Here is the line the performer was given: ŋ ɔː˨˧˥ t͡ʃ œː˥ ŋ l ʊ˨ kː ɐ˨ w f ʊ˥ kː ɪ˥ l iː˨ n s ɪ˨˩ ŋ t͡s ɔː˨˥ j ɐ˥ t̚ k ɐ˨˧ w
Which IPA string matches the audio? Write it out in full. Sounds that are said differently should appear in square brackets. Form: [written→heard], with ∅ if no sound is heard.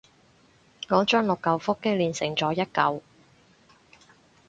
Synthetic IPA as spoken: ŋ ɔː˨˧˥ t͡ʃ œː˥ ŋ l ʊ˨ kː ɐ˨ w f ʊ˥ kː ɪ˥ l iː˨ n s ɪ˨˩ ŋ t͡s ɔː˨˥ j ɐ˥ t̚ k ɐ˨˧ w